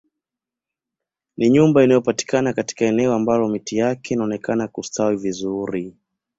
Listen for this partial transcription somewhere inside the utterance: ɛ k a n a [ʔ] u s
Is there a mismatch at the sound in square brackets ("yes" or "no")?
yes